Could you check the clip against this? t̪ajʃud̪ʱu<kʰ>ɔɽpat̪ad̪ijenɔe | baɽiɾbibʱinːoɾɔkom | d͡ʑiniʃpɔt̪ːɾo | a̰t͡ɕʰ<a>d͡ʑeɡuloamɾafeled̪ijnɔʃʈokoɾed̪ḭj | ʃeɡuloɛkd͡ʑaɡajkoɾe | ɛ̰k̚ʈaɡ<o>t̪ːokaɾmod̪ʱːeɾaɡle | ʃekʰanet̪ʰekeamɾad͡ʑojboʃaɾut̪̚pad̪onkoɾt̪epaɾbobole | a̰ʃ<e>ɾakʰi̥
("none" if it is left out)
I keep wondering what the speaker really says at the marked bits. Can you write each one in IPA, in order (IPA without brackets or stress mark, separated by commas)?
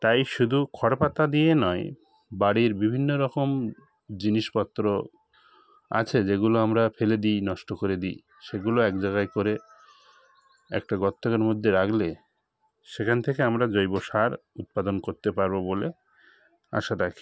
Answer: kʰ, e, ɔ, a